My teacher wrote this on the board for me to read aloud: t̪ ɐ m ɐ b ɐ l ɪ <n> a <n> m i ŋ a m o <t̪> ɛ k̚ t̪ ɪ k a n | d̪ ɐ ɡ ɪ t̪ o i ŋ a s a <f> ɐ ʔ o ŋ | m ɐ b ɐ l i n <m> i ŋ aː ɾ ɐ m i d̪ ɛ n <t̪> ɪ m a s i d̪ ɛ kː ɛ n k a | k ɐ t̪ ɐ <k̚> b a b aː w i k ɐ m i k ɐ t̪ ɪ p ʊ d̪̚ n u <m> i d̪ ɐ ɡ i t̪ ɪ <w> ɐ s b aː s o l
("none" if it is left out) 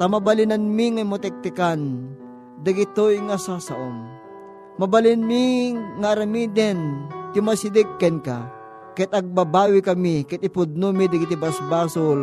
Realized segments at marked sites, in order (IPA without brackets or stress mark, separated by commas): n, n, t̪, s, m, t̪, ɡ̚, m, b